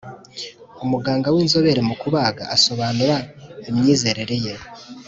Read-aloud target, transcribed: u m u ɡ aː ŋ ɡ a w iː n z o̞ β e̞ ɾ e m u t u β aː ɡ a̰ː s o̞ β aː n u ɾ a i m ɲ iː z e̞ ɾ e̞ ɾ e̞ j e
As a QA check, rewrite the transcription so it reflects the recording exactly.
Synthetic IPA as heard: u m u ɡ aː ŋ ɡ a w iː n z o̞ β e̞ ɾ e m u k u β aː ɡ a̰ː s o̞ β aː n u ɾ a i m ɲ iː z e̞ ɾ e̞ ɾ e̞ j e

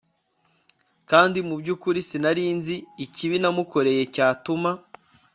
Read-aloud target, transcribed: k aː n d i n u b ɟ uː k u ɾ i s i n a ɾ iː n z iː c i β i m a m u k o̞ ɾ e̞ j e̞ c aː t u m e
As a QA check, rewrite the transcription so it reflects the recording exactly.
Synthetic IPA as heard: k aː n d i m u b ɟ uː k u ɾ i s i n a ɾ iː n z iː c i β i n a m u k o̞ ɾ e̞ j e̞ c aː t u m a

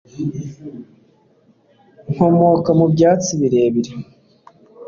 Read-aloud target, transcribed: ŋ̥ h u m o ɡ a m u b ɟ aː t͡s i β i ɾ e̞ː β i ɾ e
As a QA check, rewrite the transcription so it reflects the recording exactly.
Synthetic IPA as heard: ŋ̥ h o m o k a m u b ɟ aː t͡s i β i ɾ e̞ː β i ɾ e

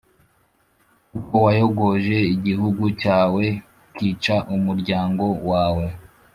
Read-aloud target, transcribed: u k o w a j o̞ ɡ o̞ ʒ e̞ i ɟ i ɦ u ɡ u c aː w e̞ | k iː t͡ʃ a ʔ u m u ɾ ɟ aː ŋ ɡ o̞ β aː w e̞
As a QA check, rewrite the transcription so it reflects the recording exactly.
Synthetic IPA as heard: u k o w a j o̞ ɡ o̞ ʒ e̞ i ɟ i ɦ u ɡ u c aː w e̞ | k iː t͡ʃ a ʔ u m u ɾ ɟ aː ŋ ɡ o̞ w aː w e̞

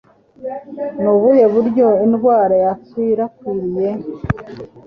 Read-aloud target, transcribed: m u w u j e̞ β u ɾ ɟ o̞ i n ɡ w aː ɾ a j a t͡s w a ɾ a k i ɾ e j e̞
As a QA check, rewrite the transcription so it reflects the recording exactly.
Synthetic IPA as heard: n u β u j e̞ β u ɾ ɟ o̞ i n ɡ w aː ɾ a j a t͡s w i ɾ a k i ɾ i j e̞

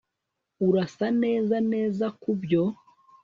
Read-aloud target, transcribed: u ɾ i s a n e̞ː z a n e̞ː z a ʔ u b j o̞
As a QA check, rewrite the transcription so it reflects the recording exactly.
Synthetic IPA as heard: u ɾ a s a n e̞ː z a n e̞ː z a k u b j o̞

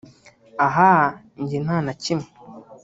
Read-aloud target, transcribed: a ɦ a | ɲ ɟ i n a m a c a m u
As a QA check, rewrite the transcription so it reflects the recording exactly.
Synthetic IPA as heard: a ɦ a | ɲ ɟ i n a n a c i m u

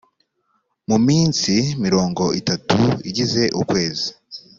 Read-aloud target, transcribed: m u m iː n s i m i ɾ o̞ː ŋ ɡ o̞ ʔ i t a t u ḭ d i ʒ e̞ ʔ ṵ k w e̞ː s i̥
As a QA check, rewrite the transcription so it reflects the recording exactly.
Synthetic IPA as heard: m u m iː n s i m i ɾ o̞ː ŋ ɡ o̞ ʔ i t a t u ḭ ɟ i z e̞ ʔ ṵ k w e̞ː z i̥

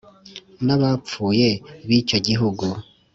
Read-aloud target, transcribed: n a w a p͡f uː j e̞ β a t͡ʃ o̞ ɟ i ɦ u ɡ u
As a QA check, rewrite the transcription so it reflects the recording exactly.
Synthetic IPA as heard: n a β a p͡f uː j e̞ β i t͡ʃ o̞ ɟ i ɦ u ɡ u

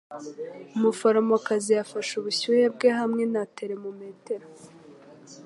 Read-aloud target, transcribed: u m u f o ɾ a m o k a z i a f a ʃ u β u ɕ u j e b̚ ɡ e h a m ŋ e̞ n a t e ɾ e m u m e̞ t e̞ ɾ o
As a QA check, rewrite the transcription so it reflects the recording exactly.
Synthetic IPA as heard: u m u f o ɾ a m o k a z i a f a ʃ u β u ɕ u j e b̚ ɡ e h a m ŋ e̞ n a t e ɾ e m u m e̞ t e̞ ɾ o

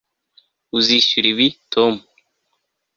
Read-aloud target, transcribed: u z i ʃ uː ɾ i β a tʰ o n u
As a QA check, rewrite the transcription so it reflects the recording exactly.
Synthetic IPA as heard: u z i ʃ u ɾ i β i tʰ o m u

